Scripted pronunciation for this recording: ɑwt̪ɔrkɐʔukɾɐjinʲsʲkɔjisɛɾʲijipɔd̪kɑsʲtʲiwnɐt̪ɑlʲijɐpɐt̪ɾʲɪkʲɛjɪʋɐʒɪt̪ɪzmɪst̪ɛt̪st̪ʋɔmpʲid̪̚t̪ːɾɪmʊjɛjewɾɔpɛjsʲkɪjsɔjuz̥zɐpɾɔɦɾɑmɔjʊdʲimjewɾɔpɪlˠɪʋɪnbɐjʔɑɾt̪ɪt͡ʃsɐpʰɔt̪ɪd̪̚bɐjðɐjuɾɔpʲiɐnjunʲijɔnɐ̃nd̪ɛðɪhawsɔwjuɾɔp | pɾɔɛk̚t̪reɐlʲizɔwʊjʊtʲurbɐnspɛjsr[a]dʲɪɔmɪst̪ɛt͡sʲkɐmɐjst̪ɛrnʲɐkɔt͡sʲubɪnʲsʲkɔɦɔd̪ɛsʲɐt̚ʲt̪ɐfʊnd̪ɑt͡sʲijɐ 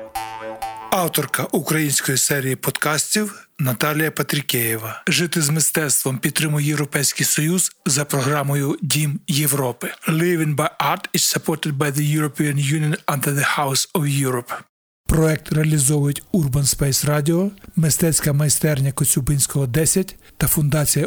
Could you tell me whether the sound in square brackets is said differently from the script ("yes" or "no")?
yes